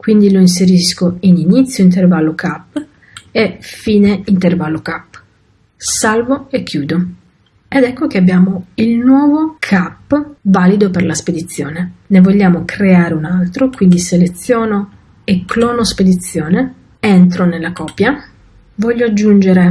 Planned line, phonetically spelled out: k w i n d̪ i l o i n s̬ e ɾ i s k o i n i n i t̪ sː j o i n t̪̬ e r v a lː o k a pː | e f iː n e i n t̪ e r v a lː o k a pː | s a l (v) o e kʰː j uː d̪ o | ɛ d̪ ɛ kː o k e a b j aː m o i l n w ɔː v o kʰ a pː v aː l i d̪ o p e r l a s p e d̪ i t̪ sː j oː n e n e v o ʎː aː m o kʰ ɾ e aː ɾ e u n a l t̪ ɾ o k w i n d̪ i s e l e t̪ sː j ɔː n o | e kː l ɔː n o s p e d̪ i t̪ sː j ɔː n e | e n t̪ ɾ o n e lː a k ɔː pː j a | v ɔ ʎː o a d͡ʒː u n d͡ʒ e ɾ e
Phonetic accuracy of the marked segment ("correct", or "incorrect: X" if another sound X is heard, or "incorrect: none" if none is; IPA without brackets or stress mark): correct